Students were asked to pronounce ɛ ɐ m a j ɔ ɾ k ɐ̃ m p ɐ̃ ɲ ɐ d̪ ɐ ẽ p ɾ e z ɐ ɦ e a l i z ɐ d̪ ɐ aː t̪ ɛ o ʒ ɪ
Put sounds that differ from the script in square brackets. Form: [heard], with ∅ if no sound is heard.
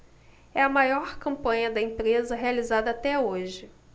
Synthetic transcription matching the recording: ɛ ɐ m a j ɔ ɾ k ɐ̃ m p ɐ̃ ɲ ɐ d̪ ɐ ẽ p ɾ e z ɐ ɦ e a l i z [a] d̪ ɐ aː t̪ ɛ o ʒ ɪ

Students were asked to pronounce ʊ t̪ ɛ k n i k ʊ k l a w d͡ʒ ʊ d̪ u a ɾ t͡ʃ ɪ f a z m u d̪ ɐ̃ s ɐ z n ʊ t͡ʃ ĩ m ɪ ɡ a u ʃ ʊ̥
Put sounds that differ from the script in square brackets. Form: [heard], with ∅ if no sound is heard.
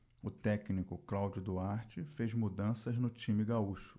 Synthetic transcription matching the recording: ʊ t̪ ɛ k n i k ʊ k l a w d͡ʒ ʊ d̪ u a ɾ t͡ʃ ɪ f [e] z m u d̪ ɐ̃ s ɐ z n ʊ t͡ʃ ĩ m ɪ ɡ a u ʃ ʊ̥

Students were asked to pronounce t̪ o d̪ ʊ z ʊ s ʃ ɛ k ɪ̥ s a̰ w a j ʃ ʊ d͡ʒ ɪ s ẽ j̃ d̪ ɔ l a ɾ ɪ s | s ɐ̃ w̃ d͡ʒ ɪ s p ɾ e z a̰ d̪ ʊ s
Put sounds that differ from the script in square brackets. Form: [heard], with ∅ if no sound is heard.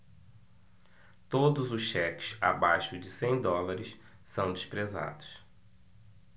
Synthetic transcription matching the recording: t̪ o d̪ ʊ z ʊ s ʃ ɛ k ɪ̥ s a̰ [b] a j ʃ ʊ d͡ʒ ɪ s ẽ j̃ d̪ ɔ l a ɾ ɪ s | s ɐ̃ w̃ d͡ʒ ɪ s p ɾ e z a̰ d̪ ʊ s

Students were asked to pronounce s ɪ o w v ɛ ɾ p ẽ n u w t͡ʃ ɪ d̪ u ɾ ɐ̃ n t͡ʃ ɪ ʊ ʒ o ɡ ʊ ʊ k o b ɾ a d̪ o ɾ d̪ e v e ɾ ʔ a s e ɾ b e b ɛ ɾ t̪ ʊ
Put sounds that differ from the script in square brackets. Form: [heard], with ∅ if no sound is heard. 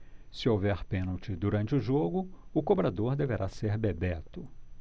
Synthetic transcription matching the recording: s ɪ o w v ɛ ɾ p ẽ n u w t͡ʃ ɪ d̪ u ɾ ɐ̃ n t͡ʃ ɪ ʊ ʒ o ɡ ʊ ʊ k o b ɾ a d̪ o ɾ d̪ e v e ɾ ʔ a s e ɾ b e b ɛ [∅] t̪ ʊ

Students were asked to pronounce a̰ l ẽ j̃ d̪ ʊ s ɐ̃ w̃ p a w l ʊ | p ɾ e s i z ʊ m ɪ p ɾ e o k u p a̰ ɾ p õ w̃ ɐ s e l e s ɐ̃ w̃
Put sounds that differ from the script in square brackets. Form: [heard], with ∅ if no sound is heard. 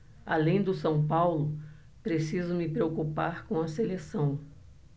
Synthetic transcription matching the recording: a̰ l ẽ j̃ d̪ ʊ s ɐ̃ w̃ p a w l ʊ | p ɾ e s i z ʊ m ɪ p ɾ e o k u p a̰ ɾ [k] õ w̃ ɐ s e l e s ɐ̃ w̃

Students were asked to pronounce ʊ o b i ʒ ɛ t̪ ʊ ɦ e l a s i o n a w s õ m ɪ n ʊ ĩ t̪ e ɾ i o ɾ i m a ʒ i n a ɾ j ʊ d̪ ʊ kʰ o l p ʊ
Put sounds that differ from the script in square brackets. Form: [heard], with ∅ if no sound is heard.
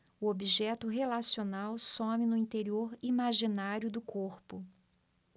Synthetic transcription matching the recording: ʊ o b i ʒ ɛ t̪ ʊ ɦ e l a s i o n a w s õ m ɪ n ʊ ĩ t̪ e ɾ i o ɾ i m a ʒ i n a ɾ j ʊ d̪ ʊ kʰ o [ɾ] p ʊ

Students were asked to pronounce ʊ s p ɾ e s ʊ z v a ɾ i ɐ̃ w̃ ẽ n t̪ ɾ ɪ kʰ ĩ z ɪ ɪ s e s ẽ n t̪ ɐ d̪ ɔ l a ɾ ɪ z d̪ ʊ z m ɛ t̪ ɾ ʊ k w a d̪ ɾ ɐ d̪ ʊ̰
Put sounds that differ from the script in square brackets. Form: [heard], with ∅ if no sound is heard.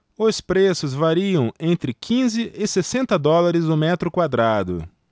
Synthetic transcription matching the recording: ʊ s p ɾ e s ʊ z v a ɾ i ɐ̃ w̃ ẽ n t̪ ɾ ɪ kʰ ĩ z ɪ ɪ s e s ẽ n t̪ ɐ d̪ ɔ l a ɾ ɪ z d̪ ʊ [∅] m ɛ t̪ ɾ ʊ k w a d̪ ɾ [a] d̪ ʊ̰

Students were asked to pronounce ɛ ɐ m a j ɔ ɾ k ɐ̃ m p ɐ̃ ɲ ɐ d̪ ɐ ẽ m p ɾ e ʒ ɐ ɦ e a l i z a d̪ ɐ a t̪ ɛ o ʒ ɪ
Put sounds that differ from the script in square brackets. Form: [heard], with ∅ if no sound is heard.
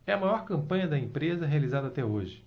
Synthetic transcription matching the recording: ɛ ɐ m a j ɔ ɾ k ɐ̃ m p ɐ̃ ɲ ɐ d̪ ɐ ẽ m p ɾ e [z] ɐ ɦ e a l i z a d̪ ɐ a t̪ ɛ o ʒ ɪ

